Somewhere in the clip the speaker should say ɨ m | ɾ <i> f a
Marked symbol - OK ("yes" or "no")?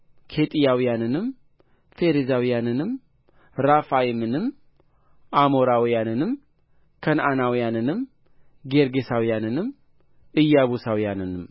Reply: no